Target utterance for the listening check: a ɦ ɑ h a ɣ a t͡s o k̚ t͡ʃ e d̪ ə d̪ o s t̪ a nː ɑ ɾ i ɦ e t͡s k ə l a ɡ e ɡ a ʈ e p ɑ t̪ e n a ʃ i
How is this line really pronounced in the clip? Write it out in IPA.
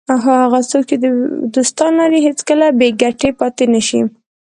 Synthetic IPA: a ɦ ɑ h a ɣ a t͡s o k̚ t͡ʃ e d̪ ə d̪ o s t̪ ɑ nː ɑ ɾ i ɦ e t͡s k ə l a b e ɡ a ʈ e p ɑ t̪ e n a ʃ i